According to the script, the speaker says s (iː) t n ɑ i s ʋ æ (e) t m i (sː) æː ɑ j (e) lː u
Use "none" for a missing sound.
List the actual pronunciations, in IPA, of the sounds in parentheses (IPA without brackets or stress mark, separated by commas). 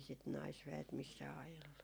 i, e, sː, e